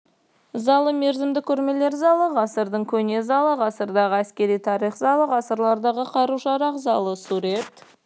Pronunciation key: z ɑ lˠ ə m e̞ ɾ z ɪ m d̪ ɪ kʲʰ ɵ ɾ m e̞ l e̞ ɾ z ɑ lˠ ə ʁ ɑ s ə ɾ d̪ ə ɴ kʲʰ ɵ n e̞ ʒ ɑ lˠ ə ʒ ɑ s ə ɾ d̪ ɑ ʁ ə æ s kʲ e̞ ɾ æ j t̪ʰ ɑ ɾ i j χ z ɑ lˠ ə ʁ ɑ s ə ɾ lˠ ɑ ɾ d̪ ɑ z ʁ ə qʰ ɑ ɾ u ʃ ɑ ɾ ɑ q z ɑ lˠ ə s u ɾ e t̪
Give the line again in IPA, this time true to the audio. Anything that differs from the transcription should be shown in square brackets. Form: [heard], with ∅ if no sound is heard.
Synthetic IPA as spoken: z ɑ lˠ ə m e̞ ɾ z ɪ m d̪ ɪ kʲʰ ɵ ɾ m e̞ l e̞ ɾ z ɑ lˠ ə ʁ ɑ s ə ɾ d̪ ə ɴ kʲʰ ɵ n e̞ [z] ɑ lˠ ə [ʁ] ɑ s ə ɾ d̪ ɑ ʁ ə æ s kʲ e̞ ɾ [i] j t̪ʰ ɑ ɾ i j χ z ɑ lˠ ə ʁ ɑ s ə ɾ lˠ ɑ ɾ d̪ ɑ [∅] ʁ ə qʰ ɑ ɾ u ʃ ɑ ɾ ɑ q z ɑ lˠ ə s u ɾ e t̪